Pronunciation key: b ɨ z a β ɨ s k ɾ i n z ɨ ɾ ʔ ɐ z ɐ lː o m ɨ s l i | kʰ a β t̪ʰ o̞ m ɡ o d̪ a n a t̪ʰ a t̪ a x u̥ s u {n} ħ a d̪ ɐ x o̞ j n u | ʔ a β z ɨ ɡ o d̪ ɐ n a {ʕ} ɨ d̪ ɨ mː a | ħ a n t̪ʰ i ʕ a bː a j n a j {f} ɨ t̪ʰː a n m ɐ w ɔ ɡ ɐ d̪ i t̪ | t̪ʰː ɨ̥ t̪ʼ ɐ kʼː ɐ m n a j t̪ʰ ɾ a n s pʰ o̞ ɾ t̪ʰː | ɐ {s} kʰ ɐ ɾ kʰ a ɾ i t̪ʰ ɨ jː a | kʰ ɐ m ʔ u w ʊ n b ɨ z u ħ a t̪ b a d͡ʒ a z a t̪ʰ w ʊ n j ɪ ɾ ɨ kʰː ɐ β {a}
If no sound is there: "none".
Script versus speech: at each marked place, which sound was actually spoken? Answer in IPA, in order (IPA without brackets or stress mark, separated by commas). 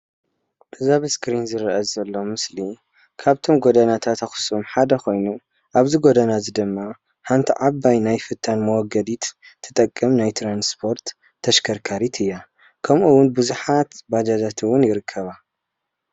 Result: m, z, f, ʃ, a